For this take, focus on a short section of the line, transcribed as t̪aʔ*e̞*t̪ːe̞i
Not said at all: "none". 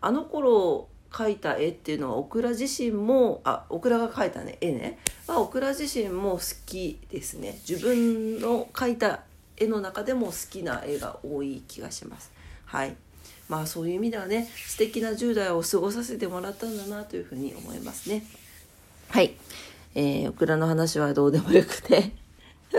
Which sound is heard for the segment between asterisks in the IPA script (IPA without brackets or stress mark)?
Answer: e̞